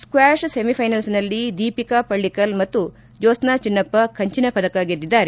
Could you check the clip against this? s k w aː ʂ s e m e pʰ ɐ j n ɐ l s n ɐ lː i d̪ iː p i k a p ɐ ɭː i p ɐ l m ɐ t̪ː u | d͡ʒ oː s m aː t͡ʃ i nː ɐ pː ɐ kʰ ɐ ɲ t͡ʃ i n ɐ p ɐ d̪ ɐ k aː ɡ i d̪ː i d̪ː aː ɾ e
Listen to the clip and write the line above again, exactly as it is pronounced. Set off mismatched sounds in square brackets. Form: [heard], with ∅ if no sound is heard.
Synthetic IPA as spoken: s k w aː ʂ s e m [i] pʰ ɐ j n ɐ l s n ɐ lː i d̪ iː p i k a p ɐ ɭː i [k] ɐ l m ɐ t̪ː u | d͡ʒ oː s [n] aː t͡ʃ i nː ɐ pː ɐ kʰ ɐ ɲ t͡ʃ i n ɐ p ɐ d̪ ɐ k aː ɡ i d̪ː i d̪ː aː ɾ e